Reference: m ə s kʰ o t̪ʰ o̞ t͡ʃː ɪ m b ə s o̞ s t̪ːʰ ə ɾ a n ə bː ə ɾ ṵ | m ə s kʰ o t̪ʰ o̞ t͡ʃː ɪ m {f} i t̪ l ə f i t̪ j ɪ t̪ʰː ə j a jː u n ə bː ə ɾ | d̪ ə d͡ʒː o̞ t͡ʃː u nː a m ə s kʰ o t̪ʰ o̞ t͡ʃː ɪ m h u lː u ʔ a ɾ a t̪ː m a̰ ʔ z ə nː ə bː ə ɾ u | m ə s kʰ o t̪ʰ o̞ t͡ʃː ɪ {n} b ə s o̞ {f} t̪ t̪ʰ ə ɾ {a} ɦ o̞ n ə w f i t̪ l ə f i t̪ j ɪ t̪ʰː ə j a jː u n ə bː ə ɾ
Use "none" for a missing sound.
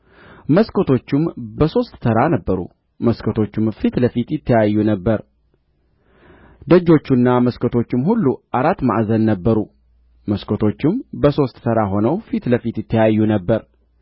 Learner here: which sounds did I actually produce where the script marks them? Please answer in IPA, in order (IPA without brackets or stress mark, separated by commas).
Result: f, m, s, a